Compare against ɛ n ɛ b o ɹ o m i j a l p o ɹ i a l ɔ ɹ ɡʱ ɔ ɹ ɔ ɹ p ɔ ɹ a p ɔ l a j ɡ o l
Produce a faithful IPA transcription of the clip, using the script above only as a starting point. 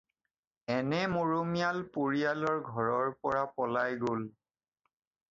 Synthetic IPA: ɛ n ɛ m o ɹ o m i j a l p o ɹ i a l ɔ ɹ ɡʱ ɔ ɹ ɔ ɹ p ɔ ɹ a p ɔ l a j ɡ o l